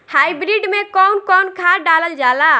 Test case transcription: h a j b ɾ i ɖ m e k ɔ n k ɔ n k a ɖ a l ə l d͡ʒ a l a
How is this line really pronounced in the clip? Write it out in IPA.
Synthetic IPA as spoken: h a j b ɾ i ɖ m e k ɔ n k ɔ n kʰ a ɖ a l ə l d͡ʒ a l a